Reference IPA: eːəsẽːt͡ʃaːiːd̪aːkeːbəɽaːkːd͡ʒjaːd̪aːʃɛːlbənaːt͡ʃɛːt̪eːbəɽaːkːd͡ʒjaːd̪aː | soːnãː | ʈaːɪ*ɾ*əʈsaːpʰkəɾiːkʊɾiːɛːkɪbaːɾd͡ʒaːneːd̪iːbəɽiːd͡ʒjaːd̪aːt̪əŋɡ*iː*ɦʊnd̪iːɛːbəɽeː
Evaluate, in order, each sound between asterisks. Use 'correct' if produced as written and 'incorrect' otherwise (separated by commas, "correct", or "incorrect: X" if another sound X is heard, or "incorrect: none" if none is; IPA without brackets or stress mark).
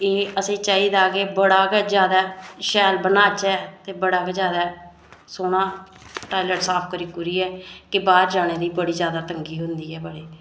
incorrect: l, correct